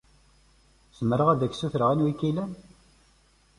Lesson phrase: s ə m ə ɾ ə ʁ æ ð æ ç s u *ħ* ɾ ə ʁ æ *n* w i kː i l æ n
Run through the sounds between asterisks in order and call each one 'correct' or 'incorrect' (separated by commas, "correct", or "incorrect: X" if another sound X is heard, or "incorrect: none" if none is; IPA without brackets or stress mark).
incorrect: θ, correct